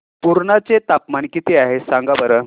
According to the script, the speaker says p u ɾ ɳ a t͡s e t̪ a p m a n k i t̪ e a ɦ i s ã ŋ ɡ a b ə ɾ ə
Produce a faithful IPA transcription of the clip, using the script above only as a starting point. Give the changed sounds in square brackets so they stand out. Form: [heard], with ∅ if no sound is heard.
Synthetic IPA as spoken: p u ɾ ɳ a t͡s e t̪ a p m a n k i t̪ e a ɦ [e] s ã ŋ ɡ a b ə ɾ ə